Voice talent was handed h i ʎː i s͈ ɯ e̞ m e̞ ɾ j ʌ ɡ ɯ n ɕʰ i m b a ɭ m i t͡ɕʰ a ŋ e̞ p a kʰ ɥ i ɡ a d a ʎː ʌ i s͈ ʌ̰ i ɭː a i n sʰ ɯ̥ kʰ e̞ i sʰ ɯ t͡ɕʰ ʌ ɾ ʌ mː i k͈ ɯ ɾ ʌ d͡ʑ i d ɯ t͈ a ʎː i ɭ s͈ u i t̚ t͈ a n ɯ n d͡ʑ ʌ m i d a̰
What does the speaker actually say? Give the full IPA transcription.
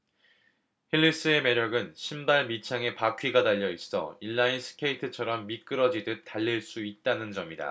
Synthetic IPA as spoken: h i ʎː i s͈ ɯ e̞ m e̞ ɾ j ʌ ɡ ɯ n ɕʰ i m b a ɭ m i t͡ɕʰ a ŋ e̞ p a kʰ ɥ i ɡ a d a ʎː ʌ i s͈ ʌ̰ i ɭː a i n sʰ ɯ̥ kʰ e̞ i tʰ ɯ t͡ɕʰ ʌ ɾ ʌ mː i k͈ ɯ ɾ ʌ d͡ʑ i d ɯ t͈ a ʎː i ɭ s͈ u i t̚ t͈ a n ɯ n d͡ʑ ʌ m i d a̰